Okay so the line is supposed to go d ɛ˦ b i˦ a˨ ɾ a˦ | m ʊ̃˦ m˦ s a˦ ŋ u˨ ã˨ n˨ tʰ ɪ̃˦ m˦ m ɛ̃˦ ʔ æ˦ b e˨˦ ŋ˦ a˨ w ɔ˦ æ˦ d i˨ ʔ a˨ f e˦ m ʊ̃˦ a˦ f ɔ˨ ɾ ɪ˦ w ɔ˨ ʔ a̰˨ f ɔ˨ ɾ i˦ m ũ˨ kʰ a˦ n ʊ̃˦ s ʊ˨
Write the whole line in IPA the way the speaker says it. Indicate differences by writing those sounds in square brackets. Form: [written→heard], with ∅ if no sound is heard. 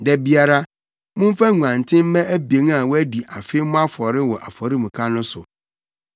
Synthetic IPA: d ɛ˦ b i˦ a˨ ɾ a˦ | m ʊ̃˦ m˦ [s→f] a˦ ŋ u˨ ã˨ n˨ tʰ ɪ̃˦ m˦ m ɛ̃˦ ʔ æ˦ b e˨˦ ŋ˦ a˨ w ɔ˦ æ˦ d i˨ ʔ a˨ f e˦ m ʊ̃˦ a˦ f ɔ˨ ɾ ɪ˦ w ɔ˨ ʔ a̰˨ f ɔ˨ ɾ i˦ m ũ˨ kʰ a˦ n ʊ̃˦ s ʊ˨

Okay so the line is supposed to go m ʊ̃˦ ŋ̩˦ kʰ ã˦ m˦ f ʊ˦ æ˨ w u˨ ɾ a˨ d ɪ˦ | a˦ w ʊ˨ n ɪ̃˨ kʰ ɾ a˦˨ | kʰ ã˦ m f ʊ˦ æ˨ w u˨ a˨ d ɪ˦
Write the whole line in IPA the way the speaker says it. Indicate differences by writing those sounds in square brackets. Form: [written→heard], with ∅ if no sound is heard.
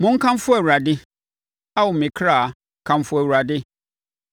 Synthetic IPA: m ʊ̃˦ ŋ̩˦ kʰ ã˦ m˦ f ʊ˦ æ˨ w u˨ ɾ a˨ d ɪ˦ | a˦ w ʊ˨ [n→m] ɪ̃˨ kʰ ɾ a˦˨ | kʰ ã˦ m f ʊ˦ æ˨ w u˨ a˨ d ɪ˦

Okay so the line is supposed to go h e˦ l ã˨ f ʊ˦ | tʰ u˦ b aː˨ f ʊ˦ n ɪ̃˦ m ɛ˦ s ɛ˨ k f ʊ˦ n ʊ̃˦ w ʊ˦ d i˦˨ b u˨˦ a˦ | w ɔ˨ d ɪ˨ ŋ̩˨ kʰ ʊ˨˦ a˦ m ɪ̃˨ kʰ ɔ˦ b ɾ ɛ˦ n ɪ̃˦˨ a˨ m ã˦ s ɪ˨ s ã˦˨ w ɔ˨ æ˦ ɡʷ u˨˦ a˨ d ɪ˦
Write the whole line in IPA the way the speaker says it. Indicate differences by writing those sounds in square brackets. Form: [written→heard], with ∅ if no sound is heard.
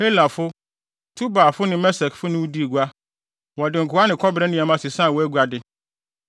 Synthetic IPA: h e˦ l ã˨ f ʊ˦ | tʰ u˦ b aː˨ f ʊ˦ n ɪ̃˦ m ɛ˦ s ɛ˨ k f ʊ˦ n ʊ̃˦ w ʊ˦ d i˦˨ [b→ɡ] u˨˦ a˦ | w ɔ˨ d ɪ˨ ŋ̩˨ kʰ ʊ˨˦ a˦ [m→n] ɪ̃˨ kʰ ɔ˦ b ɾ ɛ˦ n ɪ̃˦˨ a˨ m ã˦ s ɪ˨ s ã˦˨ w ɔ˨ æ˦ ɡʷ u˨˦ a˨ d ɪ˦

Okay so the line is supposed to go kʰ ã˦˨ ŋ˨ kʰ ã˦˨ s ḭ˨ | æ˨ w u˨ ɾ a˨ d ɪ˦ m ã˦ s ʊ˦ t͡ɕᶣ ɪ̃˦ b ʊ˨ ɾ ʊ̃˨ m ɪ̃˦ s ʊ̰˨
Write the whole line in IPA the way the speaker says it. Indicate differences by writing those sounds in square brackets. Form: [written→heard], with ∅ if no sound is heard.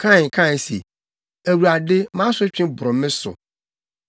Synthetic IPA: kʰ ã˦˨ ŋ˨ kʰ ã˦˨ s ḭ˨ | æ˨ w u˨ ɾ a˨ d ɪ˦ m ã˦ s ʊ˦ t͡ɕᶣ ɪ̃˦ b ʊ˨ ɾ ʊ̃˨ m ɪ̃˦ s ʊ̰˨

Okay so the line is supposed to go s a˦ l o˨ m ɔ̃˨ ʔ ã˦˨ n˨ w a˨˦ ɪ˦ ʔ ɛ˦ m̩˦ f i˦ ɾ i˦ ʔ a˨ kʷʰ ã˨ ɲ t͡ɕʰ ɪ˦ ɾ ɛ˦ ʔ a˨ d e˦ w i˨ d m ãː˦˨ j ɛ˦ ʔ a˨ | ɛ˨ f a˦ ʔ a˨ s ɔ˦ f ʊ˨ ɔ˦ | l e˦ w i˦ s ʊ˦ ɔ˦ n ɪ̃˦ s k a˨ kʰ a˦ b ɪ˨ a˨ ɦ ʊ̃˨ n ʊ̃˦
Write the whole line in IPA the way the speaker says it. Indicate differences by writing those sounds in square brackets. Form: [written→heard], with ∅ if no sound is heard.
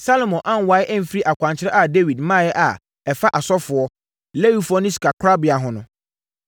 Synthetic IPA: s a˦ l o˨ m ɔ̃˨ ʔ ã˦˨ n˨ w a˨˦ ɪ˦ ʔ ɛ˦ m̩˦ f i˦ ɾ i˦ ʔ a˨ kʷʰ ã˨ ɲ t͡ɕʰ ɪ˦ ɾ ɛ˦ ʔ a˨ d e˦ w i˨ d m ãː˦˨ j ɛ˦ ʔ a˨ | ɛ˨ f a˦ ʔ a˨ s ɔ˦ f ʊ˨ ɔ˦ | l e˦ w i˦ [s→f] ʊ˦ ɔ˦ n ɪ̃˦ s k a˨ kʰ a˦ b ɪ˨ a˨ ɦ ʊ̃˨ n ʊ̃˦

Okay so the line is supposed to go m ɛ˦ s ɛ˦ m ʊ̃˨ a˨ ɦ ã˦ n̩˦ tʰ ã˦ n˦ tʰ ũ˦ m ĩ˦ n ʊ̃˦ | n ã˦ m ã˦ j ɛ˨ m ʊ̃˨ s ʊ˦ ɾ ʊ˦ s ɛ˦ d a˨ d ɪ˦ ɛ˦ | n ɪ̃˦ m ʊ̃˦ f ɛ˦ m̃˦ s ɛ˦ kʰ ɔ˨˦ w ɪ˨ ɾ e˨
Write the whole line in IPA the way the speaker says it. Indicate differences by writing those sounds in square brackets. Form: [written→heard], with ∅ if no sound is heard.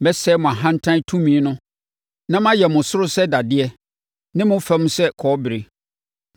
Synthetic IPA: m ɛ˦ s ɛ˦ m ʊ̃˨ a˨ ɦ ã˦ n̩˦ tʰ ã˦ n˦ tʰ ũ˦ m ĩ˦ n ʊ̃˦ | n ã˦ m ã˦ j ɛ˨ m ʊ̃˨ s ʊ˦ ɾ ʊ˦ s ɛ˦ d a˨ d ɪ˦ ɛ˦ | n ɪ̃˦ m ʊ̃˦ f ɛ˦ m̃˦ s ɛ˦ kʰ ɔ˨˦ [w→b] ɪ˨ ɾ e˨

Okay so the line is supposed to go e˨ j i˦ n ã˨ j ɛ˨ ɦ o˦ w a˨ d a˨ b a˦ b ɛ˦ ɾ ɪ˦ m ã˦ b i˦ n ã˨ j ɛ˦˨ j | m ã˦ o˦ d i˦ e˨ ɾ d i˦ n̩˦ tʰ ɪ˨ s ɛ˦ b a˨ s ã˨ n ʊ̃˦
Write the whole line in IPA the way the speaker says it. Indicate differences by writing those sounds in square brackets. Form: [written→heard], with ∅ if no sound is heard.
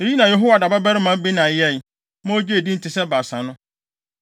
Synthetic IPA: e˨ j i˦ n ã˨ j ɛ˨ ɦ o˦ w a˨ d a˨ b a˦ b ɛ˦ ɾ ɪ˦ m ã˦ b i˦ n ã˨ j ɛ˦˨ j | m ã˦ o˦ [d→d͡ʑ] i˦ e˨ [ɾ→∅] d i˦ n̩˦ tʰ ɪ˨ s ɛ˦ b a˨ s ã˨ n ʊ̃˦

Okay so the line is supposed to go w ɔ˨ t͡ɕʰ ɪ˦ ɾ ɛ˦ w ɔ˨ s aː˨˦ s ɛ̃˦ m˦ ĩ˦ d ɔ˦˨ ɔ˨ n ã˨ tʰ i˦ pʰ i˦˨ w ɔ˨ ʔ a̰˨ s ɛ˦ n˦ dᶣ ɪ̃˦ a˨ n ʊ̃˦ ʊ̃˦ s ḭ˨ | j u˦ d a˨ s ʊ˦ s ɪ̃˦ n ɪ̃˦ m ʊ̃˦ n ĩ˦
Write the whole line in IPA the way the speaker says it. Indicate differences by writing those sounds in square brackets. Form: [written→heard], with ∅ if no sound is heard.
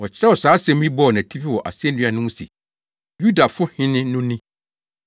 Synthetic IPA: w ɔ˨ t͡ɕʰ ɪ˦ ɾ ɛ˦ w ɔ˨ s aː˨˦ s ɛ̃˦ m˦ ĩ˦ [d→b] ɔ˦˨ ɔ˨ n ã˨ tʰ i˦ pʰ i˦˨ w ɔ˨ ʔ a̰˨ s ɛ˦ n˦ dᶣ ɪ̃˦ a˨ n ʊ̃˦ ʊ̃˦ s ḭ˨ | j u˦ d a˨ [s→f] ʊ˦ [s→h] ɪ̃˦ n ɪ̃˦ [m→n] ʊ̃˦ n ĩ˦

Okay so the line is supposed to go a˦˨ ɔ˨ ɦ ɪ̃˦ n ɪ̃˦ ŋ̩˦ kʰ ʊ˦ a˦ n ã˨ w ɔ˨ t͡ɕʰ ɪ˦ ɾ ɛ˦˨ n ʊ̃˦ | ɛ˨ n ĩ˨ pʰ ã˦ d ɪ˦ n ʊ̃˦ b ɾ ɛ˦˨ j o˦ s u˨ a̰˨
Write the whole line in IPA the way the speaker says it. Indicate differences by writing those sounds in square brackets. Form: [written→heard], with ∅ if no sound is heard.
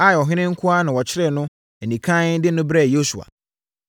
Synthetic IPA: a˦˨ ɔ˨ ɦ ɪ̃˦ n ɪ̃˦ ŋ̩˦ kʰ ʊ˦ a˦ n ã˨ w ɔ˨ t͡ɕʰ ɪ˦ ɾ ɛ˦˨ n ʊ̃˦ | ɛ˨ n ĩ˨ [pʰ→kʰ] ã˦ d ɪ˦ n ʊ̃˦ b ɾ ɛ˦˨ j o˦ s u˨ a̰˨

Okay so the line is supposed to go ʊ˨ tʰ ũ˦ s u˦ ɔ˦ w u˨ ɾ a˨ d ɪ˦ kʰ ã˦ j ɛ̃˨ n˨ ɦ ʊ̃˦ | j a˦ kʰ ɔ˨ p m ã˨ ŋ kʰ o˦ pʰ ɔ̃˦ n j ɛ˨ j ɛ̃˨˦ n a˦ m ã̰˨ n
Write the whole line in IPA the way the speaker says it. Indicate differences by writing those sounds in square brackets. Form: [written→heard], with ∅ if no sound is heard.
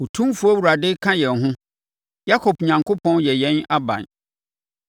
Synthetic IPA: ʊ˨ tʰ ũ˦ [s→f] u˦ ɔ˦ w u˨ ɾ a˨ d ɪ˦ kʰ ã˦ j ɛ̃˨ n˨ ɦ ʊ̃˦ | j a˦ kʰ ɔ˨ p [m→ɲ] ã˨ ŋ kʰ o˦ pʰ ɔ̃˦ n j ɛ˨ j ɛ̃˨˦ n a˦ [m→b] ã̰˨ n

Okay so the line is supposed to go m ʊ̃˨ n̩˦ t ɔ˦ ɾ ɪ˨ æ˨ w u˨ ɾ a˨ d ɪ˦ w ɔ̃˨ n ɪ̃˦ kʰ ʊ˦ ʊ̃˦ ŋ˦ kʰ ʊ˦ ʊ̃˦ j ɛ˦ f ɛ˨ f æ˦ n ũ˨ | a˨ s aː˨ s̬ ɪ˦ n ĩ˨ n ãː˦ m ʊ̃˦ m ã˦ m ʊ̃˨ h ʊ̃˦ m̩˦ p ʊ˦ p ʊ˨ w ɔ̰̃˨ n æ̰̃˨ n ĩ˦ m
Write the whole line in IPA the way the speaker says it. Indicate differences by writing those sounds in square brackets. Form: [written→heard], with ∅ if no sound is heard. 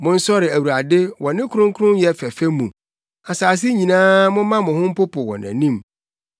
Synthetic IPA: m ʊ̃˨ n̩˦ [t→s] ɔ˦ ɾ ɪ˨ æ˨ w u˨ ɾ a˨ d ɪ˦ w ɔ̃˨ n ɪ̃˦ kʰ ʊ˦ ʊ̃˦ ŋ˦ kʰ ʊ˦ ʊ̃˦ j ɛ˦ f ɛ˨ f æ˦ [n→m] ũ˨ | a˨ s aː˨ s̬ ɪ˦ [n→ɲ] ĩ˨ n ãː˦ m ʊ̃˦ m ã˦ m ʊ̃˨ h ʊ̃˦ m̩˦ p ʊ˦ p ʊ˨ w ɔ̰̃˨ n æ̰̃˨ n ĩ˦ m

